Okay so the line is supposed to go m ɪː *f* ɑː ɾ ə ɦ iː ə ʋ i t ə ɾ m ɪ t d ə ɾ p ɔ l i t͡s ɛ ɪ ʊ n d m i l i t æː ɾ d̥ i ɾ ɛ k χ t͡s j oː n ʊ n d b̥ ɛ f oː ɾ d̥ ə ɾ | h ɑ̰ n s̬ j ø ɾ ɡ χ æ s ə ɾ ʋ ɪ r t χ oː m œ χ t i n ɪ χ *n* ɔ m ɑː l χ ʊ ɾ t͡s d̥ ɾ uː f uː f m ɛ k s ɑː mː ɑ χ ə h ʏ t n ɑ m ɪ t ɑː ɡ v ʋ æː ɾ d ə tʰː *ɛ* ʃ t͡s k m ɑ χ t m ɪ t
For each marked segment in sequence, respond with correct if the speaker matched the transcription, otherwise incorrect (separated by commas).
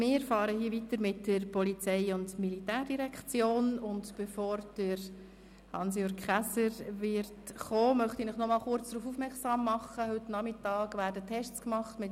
correct, correct, correct